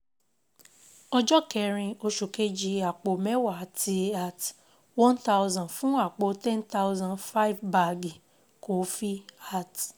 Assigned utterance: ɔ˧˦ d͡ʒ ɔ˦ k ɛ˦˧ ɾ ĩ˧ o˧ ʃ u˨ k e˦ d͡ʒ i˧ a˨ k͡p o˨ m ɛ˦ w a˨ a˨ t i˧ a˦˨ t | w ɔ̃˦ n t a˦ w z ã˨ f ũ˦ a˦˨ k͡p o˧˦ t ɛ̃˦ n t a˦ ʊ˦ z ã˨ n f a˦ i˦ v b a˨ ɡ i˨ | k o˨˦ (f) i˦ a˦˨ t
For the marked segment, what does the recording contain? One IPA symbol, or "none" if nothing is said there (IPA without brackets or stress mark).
f